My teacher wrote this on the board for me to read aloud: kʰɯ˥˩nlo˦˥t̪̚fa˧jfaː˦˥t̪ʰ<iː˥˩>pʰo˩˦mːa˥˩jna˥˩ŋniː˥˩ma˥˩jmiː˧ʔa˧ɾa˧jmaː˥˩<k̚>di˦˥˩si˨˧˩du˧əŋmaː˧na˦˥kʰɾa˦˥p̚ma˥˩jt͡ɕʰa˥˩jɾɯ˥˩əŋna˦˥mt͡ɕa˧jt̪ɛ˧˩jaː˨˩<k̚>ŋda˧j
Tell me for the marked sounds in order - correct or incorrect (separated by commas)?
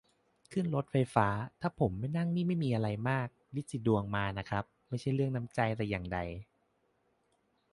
incorrect, correct, incorrect